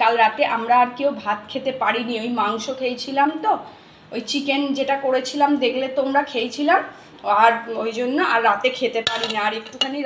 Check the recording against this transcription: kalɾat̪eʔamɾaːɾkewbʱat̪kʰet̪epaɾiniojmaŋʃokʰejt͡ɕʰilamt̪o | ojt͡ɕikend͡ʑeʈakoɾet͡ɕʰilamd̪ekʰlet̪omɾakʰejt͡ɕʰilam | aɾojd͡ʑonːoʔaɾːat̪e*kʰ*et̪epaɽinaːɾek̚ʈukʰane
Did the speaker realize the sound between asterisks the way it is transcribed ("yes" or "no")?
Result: yes